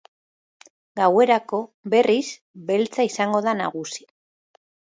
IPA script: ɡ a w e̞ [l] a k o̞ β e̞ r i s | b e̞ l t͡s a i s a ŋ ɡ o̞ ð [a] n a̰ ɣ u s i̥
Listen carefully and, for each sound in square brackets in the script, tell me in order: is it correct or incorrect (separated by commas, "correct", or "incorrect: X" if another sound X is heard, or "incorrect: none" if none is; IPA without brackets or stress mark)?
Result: incorrect: ɾ, correct